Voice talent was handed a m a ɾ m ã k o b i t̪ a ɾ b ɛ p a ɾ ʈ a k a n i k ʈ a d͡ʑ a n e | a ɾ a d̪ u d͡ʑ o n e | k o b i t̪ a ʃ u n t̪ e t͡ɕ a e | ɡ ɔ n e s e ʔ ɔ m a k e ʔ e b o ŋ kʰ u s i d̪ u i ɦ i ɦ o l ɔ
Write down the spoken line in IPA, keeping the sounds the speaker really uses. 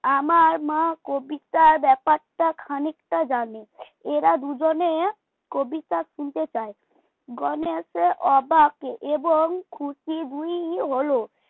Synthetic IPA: a m a ɾ m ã k o b i t̪ a ɾ b ɛ p a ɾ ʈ a kʰ a n i k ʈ a d͡ʑ a n e | e ɾ a d̪ u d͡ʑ o n e | k o b i t̪ a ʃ u n t̪ e t͡ɕ a e | ɡ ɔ n e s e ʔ ɔ b a k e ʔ e b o ŋ kʰ u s i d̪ u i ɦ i ɦ o l o